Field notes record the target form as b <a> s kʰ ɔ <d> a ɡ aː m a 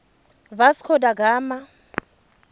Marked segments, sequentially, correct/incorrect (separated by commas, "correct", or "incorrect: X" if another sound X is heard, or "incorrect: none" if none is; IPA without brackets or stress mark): correct, correct